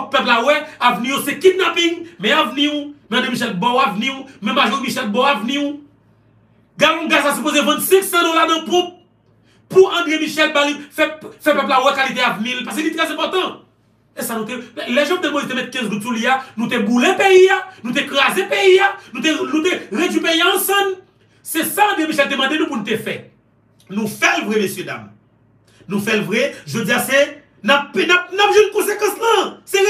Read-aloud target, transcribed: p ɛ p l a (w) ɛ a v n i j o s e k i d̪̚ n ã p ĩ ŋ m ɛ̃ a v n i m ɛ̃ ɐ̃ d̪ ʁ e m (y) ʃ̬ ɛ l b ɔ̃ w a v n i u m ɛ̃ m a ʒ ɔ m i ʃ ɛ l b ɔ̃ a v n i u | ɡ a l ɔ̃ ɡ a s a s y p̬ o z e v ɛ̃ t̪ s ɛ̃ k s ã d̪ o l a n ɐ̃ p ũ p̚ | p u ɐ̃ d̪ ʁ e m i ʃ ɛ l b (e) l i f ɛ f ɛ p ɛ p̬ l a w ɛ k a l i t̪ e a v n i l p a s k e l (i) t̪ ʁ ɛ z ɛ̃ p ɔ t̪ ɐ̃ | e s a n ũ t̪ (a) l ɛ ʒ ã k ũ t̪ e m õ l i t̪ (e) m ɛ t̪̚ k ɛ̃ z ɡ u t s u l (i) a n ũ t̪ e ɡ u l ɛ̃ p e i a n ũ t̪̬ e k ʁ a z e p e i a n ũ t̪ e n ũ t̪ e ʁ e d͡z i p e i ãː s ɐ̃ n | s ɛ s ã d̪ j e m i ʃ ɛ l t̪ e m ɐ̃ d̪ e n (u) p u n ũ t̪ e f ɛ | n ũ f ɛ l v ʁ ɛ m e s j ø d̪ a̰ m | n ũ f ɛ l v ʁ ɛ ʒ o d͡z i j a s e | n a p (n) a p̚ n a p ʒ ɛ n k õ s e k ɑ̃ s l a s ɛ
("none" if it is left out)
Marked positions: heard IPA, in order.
w, i, a, i, e, e, i, ũ, n

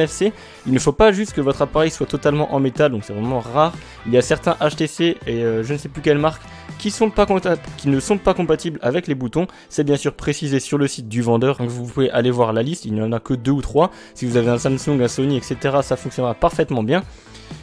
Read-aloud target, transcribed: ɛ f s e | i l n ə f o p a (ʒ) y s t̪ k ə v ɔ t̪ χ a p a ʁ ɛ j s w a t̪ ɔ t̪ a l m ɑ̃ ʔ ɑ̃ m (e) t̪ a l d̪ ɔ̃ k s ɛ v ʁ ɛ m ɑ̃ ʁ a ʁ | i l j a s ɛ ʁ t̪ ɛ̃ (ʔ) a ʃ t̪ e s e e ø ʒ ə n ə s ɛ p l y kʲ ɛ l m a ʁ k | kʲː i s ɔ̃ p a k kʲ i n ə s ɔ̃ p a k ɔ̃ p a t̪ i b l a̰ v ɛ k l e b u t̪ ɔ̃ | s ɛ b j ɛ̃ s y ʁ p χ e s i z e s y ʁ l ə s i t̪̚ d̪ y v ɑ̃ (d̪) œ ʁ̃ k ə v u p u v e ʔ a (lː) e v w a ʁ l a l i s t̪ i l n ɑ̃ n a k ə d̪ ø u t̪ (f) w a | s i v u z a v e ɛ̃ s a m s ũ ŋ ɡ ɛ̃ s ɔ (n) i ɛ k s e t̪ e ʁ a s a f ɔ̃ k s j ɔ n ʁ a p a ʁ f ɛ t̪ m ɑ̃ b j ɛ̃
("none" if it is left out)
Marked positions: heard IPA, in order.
ʒ, e, ʔ, d̪, l, χ, n

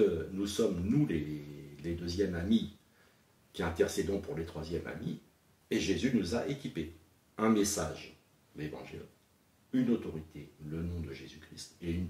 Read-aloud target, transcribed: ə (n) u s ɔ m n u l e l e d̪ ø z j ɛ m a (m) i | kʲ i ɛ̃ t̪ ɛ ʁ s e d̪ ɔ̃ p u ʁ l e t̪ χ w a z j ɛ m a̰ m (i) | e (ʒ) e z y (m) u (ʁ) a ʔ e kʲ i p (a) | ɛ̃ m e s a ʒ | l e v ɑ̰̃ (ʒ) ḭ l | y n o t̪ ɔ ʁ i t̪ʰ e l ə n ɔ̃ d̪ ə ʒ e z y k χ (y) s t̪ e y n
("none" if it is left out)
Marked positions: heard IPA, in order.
n, m, i, ʒ, n, z, e, ʒ, i

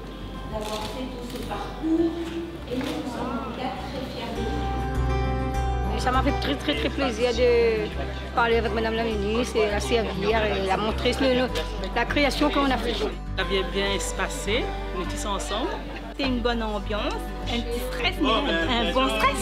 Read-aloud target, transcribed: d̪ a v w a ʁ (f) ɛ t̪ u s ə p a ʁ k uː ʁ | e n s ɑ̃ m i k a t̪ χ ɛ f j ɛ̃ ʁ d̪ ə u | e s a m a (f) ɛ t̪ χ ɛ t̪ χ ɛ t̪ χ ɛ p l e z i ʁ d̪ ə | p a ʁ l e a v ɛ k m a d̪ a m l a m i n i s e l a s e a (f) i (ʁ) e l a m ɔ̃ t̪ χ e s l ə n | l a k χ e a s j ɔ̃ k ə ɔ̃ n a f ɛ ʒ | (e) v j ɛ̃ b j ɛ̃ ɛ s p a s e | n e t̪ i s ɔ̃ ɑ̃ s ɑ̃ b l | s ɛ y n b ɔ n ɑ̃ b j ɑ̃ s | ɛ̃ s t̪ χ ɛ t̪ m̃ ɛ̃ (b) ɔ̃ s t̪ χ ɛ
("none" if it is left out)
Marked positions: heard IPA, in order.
f, f, v, ʁ, a, b

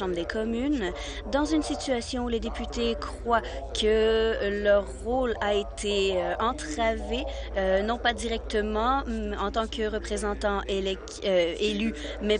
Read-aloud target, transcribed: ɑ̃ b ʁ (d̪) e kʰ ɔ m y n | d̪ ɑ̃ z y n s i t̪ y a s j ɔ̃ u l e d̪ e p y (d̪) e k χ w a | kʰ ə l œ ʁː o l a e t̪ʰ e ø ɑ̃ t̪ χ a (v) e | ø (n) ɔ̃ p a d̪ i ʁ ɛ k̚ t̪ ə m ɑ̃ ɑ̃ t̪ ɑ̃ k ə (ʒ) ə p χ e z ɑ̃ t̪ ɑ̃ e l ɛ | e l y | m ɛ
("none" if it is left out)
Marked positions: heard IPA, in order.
d̪, t̪, v, n, ʁ

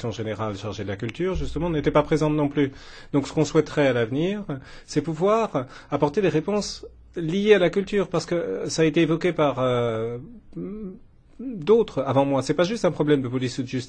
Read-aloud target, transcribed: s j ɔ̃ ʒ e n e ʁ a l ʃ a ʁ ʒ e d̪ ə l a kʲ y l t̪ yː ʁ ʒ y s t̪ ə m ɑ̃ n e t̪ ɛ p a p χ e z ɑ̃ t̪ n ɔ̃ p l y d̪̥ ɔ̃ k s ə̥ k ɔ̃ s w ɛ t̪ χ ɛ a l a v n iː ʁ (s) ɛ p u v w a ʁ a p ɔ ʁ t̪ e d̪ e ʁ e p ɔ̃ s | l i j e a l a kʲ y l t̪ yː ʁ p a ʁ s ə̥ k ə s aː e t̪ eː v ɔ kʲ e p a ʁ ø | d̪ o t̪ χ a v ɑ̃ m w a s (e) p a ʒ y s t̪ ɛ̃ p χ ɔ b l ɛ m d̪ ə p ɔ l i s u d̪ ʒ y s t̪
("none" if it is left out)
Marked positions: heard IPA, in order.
s, ɛ

